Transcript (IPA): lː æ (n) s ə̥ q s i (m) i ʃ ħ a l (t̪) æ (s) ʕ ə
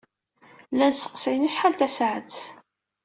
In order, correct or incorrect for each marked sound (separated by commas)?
correct, incorrect, correct, correct